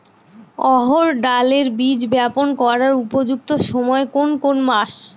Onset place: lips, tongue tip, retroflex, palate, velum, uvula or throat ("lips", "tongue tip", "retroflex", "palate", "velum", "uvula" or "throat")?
throat